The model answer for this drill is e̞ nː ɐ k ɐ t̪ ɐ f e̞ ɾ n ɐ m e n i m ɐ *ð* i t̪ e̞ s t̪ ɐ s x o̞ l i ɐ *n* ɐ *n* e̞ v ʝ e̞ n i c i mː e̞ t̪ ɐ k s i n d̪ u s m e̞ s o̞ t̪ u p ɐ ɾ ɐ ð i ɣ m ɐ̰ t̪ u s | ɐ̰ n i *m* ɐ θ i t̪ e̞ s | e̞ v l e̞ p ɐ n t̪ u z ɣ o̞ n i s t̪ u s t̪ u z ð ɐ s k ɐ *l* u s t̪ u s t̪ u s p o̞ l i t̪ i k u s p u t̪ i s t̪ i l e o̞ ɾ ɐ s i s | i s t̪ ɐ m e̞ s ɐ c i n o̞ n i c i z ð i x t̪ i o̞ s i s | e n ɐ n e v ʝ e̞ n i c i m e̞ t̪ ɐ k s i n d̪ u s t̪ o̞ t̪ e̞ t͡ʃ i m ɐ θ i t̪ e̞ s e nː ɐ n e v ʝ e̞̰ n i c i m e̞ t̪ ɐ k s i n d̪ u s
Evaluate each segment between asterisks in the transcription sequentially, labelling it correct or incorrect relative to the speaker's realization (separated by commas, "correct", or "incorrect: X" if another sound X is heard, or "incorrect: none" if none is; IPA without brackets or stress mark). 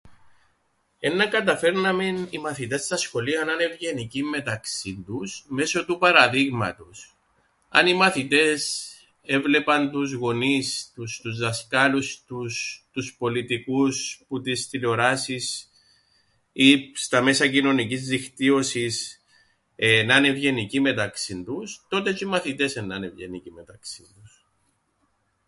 incorrect: θ, correct, correct, correct, correct